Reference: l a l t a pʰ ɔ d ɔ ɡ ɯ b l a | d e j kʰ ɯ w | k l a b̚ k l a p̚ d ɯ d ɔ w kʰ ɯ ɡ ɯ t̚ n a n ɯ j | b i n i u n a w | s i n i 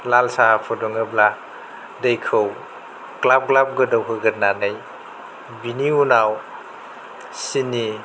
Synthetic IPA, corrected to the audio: l a l s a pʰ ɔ d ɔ ŋ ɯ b l a | d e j kʰ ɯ w | k l a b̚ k l a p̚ ɡ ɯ d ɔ w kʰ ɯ ɡ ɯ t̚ n a n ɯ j | b i n i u n a w | s i n i